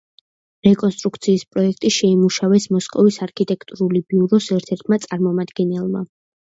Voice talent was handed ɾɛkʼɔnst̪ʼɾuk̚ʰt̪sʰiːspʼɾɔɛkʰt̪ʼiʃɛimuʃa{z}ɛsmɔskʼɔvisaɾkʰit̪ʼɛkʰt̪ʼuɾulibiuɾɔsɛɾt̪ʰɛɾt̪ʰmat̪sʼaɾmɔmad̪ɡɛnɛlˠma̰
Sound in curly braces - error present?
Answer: yes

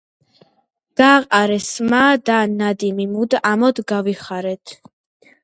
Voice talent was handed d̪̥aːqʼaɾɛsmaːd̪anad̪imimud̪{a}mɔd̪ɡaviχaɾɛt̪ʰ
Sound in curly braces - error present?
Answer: no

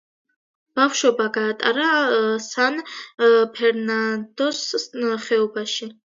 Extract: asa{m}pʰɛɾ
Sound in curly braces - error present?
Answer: yes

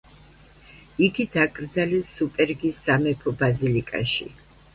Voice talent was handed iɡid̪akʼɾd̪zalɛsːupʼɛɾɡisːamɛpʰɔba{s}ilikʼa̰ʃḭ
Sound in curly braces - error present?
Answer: yes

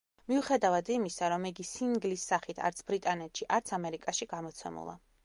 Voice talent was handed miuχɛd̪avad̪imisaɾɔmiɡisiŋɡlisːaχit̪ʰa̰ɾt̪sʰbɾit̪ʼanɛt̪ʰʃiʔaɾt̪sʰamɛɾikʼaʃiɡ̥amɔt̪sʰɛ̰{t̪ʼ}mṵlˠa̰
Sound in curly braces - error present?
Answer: yes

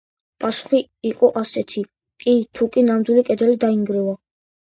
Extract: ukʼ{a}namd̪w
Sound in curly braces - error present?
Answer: yes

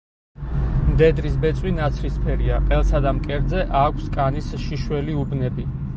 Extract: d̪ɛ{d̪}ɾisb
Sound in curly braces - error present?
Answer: no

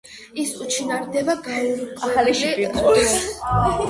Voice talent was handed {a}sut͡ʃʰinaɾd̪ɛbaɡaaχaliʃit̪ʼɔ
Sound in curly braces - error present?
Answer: yes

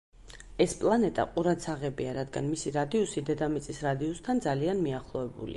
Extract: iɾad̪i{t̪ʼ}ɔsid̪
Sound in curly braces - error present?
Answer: yes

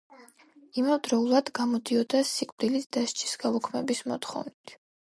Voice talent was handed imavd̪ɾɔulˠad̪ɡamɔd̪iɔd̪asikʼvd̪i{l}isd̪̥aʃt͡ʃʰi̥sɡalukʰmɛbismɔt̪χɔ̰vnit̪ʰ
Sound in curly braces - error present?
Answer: no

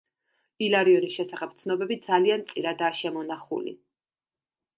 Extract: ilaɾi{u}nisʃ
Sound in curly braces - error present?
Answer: yes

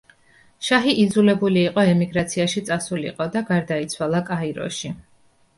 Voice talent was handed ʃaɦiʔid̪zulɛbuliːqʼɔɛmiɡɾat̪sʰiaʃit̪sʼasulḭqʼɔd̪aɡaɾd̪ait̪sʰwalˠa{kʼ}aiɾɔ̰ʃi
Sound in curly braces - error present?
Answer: no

